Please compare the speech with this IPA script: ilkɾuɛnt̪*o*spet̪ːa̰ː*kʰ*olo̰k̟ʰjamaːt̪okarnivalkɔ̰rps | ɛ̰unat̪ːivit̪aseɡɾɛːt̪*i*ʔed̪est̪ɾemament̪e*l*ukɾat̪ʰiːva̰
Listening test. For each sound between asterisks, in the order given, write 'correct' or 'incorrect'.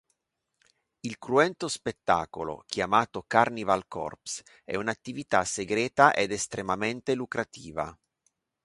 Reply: correct, incorrect: k, incorrect: a, correct

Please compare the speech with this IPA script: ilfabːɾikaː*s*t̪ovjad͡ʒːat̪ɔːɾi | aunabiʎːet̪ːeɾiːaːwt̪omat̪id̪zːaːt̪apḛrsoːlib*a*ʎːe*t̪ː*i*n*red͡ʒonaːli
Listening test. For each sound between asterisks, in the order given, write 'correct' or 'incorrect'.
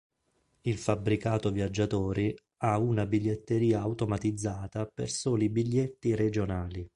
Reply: incorrect: none, incorrect: i, correct, incorrect: none

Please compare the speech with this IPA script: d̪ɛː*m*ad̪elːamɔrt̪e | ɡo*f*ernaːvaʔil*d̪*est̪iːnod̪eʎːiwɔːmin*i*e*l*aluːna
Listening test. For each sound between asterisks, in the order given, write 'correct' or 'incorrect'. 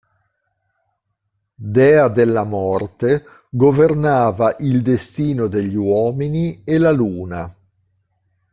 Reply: incorrect: none, incorrect: v, correct, correct, correct

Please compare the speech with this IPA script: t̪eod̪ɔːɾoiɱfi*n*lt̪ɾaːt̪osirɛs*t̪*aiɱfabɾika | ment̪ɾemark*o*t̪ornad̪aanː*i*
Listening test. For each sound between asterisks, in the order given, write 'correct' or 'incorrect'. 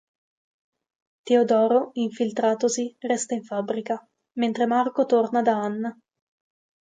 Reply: incorrect: none, correct, correct, incorrect: a

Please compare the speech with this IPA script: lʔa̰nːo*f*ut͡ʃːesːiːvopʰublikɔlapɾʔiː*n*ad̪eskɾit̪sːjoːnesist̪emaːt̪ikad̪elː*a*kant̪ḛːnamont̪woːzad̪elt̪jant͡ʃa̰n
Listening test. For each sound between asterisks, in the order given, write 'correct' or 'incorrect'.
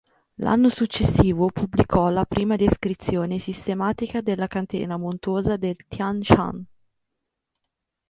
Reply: incorrect: s, incorrect: m, correct

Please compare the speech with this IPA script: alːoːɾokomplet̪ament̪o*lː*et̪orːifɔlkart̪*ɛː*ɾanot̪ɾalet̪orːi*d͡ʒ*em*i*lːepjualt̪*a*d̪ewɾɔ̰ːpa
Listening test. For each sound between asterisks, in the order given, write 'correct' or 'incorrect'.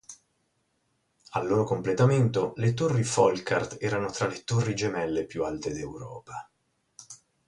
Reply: incorrect: l, correct, correct, incorrect: ɛ, incorrect: e

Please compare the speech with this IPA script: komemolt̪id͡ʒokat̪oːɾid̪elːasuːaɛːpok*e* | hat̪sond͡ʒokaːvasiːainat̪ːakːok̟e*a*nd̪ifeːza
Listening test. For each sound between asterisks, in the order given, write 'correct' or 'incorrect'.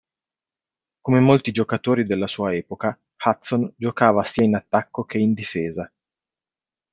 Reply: incorrect: a, incorrect: i

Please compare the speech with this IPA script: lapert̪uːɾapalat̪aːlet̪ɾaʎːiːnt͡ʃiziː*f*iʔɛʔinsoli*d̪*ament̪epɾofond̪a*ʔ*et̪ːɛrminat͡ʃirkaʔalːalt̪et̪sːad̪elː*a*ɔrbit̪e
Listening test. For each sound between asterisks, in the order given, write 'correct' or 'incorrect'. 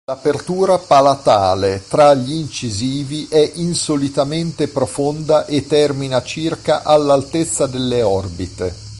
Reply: incorrect: v, incorrect: t̪, correct, incorrect: e

